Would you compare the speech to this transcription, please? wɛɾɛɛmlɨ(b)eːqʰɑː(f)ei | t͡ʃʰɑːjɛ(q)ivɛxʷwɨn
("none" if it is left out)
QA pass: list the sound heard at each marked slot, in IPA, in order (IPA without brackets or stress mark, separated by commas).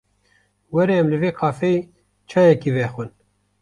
v, f, k